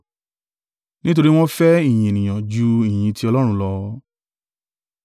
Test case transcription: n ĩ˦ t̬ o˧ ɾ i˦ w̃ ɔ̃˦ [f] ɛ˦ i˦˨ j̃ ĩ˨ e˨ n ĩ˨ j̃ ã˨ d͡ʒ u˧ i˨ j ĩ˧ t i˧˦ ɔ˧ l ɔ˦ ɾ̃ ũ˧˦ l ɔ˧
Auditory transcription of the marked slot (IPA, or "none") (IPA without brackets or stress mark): f